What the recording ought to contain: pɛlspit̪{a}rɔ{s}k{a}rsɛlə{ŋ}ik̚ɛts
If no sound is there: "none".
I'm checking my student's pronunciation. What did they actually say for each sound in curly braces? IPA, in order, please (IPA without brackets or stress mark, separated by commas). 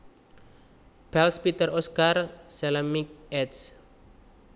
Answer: ə, s, a, m